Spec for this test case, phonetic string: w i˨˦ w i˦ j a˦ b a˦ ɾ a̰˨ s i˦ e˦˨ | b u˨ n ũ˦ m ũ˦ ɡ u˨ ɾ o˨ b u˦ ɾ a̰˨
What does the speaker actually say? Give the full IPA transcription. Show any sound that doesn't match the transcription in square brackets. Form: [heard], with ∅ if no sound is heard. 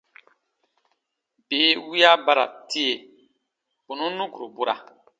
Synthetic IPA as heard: [b] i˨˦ w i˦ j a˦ b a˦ ɾ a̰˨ [t] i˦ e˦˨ | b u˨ n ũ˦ [n] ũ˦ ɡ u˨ ɾ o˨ b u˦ ɾ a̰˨